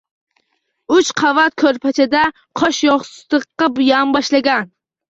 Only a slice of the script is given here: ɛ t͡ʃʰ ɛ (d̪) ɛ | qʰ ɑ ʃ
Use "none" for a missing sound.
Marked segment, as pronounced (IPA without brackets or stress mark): d̪